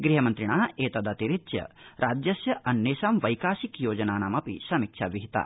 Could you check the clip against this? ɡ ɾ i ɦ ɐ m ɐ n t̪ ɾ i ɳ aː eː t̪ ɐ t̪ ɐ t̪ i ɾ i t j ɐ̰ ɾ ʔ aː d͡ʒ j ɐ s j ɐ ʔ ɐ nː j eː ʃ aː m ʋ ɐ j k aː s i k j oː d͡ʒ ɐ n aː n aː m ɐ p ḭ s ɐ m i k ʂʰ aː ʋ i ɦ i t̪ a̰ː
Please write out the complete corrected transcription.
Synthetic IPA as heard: ɡ ɾ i ɦ ɐ m ɐ n t̪ ɾ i ɳ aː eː t̪ ɐ d̪ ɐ t̪ i ɾ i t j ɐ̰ ɾ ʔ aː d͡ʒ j ɐ s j ɐ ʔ ɐ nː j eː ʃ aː m ʋ ɐ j k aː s i k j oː d͡ʒ ɐ n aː n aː m ɐ p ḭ s ɐ m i k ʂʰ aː ʋ i ɦ i t̪ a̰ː